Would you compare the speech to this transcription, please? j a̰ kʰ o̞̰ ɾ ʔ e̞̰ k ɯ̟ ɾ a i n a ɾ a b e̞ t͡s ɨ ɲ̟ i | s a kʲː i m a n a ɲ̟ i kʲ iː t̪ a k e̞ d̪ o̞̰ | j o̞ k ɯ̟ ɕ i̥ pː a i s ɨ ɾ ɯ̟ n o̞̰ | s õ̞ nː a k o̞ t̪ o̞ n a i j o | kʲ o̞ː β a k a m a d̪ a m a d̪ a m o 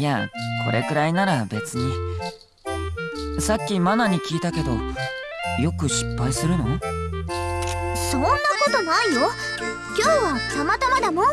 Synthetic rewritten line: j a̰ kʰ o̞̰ ɾ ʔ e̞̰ k ɯ̟ ɾ a i n a ɾ a b e̞ t͡s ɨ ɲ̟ i | s a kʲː i m a n a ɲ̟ i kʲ iː t̪ a k e̞ d̪ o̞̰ | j o̞ k ɯ̟ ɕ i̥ pː a i s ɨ ɾ ɯ̟ n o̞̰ | s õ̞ nː a k o̞ t̪ o̞ n a i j o | kʲ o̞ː β a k a m a t̪ a m a d̪ a m o